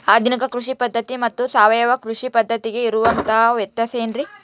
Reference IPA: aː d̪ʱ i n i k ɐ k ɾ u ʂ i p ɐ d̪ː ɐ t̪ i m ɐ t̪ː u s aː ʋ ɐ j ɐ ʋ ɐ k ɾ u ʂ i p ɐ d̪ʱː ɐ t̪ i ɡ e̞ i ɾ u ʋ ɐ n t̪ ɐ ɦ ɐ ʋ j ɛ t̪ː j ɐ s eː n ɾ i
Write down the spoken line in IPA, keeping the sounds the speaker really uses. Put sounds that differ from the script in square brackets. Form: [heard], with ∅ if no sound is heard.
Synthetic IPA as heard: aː d̪ʱ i n i k ɐ k ɾ u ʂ i p ɐ d̪ː ɐ t̪ i m ɐ t̪ː u s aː ʋ ɐ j ɐ ʋ ɐ k ɾ u ʂ i p ɐ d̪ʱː ɐ t̪ i ɡ e̞ i ɾ u ʋ ɐ n t̪ ɐ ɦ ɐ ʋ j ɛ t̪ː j ɐ s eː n ɾ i